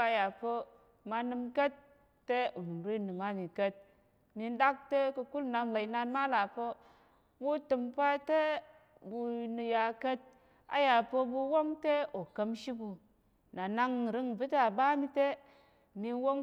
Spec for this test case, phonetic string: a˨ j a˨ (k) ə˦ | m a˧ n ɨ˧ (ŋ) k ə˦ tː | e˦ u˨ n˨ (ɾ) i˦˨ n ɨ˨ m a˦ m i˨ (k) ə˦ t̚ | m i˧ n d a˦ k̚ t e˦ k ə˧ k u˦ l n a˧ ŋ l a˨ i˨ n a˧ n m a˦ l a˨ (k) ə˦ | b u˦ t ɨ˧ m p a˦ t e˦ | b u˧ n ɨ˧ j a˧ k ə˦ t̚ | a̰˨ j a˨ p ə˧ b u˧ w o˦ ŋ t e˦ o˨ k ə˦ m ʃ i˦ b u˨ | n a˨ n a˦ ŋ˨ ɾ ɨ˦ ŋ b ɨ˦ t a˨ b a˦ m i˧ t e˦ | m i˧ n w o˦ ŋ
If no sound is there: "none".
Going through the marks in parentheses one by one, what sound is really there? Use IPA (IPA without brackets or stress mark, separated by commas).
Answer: p, m, ɾ, k, p